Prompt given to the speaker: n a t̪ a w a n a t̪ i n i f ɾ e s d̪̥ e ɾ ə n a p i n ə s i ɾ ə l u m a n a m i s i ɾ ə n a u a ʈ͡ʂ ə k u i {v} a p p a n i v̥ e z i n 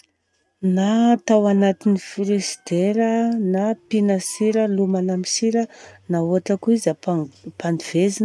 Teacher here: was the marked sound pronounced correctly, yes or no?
no